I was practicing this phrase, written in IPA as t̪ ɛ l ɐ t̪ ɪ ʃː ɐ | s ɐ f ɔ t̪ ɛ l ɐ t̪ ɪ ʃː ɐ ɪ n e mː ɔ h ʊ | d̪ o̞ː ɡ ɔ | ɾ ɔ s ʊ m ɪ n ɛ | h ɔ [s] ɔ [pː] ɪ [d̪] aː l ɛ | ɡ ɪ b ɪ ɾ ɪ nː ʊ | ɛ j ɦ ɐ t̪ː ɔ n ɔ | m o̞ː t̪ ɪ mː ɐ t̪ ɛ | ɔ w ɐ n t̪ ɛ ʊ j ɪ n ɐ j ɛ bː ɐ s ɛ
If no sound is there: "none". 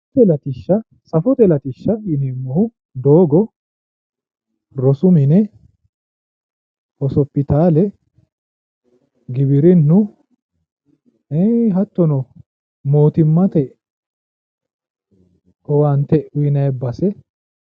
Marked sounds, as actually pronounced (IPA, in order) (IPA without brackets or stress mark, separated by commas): s, pː, t̪